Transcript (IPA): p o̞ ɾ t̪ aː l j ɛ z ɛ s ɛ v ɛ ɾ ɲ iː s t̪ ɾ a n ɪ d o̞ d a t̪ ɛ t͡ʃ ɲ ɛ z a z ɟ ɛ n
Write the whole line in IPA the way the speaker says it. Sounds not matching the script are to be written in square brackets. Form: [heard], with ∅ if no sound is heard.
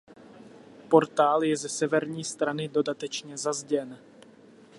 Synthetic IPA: p o̞ ɾ t̪ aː l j ɛ z ɛ s ɛ v ɛ ɾ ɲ iː s t̪ ɾ a n ɪ d o̞ d a t̪ ɛ t͡ʃ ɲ ɛ z a z ɟ ɛ n